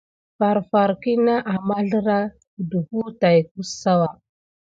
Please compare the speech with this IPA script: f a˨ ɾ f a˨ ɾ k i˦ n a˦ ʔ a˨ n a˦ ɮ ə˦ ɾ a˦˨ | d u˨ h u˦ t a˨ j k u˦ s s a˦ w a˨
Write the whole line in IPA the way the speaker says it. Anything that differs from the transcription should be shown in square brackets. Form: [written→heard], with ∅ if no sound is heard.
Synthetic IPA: f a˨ ɾ f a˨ ɾ k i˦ n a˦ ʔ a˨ [n→m] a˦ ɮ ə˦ ɾ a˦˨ | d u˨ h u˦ t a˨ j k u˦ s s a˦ w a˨